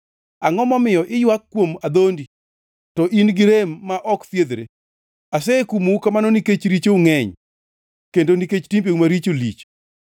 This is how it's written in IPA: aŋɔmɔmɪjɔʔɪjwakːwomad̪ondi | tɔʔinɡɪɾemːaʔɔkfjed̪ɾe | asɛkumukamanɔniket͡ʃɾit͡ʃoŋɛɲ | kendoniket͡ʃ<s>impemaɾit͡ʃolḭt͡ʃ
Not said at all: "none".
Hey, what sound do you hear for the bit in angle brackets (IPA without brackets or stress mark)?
t